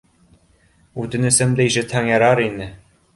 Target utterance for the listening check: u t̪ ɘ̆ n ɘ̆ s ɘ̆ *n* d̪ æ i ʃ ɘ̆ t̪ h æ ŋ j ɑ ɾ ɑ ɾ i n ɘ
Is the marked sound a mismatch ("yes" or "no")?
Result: yes